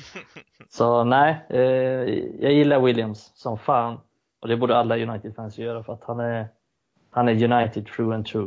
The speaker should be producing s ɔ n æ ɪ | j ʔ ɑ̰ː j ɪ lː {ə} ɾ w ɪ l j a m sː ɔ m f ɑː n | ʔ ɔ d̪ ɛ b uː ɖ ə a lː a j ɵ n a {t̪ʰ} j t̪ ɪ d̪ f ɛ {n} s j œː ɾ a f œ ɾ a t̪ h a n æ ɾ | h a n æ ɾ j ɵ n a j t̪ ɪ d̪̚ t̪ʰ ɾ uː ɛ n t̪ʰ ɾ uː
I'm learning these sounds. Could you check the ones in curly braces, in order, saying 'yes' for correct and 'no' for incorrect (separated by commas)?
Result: no, no, yes